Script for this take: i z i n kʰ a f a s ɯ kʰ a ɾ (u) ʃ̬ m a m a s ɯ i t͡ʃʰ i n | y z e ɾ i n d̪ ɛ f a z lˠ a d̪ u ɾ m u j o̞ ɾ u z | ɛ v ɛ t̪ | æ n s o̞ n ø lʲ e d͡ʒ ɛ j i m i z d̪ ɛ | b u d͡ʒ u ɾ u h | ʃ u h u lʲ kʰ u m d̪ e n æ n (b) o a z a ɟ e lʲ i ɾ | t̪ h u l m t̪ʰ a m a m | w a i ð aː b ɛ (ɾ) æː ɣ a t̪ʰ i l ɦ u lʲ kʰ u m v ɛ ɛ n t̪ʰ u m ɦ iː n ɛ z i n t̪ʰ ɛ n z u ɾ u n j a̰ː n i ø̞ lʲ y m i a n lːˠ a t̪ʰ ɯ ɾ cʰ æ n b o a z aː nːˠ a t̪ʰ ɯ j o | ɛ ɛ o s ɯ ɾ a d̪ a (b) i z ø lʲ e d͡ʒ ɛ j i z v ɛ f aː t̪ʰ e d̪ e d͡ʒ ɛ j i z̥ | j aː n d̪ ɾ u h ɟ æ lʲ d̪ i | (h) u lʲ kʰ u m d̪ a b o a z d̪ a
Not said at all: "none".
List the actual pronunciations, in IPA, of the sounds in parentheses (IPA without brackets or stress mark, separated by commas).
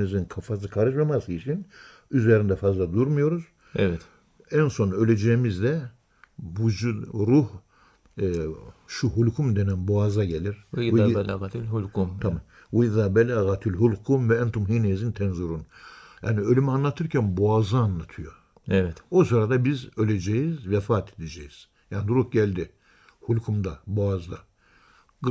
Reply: ɯ, b, l, b, h